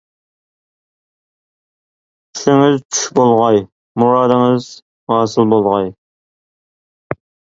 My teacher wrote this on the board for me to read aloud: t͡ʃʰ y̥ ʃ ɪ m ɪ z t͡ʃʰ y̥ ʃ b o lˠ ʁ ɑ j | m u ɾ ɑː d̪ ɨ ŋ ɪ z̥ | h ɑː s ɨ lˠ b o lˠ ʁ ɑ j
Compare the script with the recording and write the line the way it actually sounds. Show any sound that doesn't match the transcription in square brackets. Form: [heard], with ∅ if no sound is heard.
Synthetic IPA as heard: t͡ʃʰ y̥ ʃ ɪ [ŋ] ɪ z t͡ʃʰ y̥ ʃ b o lˠ ʁ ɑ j | m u ɾ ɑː d̪ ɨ ŋ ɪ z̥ | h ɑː s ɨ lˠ b o lˠ ʁ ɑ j